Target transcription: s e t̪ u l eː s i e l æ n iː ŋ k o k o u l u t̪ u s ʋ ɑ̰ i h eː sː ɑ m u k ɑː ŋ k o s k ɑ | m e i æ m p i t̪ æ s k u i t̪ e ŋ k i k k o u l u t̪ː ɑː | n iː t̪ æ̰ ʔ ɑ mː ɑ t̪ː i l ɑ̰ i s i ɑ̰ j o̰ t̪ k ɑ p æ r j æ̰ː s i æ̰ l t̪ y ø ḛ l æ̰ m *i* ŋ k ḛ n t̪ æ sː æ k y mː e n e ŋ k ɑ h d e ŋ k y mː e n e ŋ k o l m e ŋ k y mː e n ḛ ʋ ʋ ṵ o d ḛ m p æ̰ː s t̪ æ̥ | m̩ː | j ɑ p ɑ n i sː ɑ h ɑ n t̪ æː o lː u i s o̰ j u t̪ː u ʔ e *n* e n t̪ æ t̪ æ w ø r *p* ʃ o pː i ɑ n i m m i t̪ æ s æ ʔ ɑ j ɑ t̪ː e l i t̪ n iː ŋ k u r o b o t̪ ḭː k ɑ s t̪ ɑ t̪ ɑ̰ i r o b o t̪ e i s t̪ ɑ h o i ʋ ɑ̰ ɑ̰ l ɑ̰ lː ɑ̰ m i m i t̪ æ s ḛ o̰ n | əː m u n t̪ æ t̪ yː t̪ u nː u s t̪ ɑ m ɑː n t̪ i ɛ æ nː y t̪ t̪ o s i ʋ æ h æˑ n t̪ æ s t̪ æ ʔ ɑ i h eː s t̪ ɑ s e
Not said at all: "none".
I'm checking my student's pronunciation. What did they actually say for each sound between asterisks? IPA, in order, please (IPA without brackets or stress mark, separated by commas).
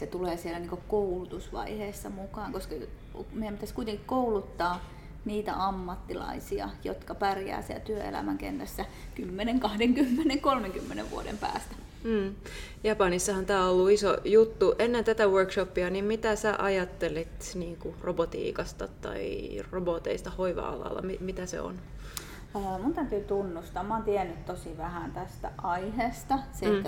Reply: æ, nː, k